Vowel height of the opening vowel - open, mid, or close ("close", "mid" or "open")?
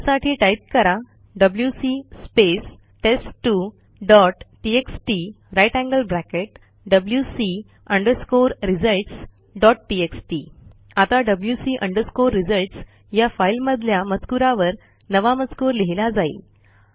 open